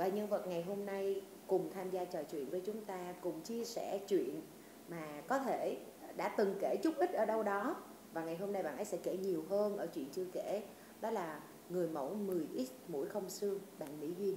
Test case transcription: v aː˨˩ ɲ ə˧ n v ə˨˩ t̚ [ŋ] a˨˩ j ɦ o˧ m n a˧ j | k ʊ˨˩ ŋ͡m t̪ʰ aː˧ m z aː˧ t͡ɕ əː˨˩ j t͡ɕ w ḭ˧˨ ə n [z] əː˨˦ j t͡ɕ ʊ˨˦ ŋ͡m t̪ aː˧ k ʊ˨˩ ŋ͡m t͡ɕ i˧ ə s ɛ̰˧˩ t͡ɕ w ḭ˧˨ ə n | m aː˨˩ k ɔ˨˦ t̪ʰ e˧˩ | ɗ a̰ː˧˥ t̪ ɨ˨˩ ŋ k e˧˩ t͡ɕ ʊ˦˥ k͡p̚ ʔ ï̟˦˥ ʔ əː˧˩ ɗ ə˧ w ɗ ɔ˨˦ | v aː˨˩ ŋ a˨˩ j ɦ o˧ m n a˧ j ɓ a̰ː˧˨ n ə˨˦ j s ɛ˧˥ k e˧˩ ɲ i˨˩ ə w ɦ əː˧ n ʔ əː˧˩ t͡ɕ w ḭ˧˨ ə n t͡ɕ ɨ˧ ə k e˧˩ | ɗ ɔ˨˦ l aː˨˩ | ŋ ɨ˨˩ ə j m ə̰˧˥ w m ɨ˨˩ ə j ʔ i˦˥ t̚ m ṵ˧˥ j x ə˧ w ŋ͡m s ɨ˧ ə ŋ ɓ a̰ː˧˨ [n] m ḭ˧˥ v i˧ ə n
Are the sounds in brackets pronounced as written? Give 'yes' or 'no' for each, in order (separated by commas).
yes, no, yes